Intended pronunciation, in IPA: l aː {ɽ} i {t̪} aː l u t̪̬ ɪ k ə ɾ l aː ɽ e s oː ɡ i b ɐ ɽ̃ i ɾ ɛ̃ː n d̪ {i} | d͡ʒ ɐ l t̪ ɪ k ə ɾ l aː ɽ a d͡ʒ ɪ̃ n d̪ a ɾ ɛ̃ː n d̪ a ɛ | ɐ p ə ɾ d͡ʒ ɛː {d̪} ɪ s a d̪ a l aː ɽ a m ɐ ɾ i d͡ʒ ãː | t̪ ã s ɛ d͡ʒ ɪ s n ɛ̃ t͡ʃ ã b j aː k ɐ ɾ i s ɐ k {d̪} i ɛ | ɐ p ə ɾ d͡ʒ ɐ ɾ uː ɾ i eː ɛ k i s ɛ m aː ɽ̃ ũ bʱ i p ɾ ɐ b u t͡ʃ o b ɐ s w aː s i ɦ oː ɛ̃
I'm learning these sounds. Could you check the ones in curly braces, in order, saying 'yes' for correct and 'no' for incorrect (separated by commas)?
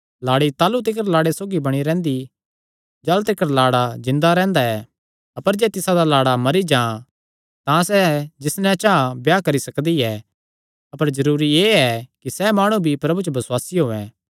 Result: yes, yes, yes, no, yes